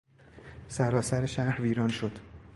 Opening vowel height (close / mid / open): open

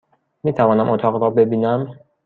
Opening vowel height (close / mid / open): close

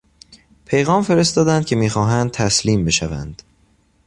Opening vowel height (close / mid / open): mid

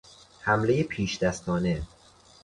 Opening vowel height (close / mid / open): open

